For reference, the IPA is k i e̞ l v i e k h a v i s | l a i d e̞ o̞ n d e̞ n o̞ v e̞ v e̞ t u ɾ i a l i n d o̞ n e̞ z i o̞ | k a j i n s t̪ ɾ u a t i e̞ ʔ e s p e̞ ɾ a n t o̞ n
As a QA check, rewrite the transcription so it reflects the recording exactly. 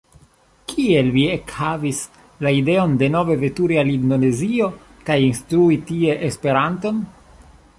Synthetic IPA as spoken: k i e̞ l v i e k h a v i s | l a i d e̞ o̞ n d e̞ n o̞ v e̞ v e̞ t u ɾ i a l i n d o̞ n e̞ z i o̞ | k a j i n s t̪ ɾ u i t i e̞ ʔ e s p e̞ ɾ a n t o̞ n